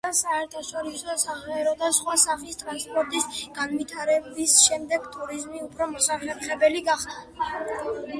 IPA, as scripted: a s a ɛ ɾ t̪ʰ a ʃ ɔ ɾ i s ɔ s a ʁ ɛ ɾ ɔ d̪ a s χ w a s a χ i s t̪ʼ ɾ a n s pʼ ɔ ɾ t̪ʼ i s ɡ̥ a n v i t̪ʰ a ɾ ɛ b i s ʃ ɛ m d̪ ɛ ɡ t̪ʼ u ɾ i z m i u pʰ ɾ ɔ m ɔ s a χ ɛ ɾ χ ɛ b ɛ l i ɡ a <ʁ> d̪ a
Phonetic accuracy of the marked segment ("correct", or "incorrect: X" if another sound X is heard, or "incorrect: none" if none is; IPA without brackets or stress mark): incorrect: χ